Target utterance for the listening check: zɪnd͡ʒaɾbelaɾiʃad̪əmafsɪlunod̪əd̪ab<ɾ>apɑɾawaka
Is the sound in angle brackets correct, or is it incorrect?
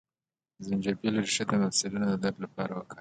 incorrect: l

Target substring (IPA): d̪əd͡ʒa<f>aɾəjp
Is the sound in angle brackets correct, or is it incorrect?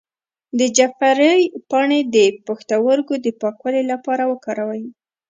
correct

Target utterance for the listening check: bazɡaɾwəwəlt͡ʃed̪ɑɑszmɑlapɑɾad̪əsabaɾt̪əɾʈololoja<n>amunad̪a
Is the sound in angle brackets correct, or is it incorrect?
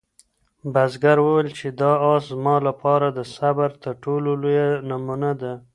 correct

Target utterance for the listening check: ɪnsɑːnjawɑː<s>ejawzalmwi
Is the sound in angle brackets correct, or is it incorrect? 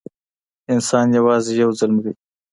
incorrect: z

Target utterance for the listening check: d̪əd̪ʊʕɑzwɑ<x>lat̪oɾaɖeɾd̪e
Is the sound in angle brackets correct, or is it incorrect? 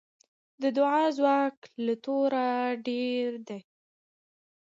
incorrect: k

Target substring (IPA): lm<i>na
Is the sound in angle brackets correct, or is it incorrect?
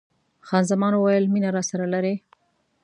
correct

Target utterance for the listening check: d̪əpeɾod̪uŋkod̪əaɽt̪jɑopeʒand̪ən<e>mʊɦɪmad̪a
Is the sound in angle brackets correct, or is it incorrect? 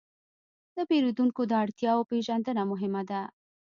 incorrect: a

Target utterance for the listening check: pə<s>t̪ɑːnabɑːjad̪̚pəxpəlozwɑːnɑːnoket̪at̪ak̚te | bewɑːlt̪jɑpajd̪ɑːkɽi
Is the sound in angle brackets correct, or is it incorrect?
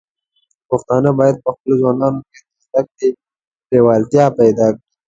incorrect: x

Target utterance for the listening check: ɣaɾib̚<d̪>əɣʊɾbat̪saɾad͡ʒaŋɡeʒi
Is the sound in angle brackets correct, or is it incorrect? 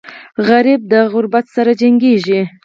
correct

